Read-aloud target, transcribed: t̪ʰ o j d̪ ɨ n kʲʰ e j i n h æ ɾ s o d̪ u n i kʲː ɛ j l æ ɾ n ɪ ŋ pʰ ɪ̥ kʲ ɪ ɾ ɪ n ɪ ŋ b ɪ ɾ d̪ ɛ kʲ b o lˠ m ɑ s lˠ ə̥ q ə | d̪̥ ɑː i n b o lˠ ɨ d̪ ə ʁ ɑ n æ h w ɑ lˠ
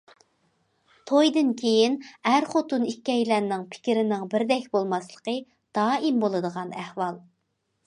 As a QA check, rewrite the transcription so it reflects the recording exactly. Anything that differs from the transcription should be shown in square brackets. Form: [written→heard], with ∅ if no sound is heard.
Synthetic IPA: t̪ʰ o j d̪ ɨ n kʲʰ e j i n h æ ɾ [s→χ] o [d̪→t̪] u n i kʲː ɛ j l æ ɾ n ɪ ŋ pʰ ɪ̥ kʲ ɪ ɾ ɪ n ɪ ŋ b ɪ ɾ d̪ ɛ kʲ b o lˠ m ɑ s lˠ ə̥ q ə | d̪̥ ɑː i [n→m] b o lˠ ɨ d̪ ə ʁ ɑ n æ h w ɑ lˠ